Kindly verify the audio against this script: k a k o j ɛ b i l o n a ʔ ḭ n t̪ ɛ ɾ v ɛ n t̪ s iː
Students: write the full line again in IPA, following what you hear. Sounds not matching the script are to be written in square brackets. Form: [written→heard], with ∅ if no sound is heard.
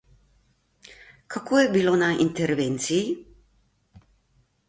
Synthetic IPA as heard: k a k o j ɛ b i l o n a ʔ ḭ n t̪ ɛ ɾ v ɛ n t̪ s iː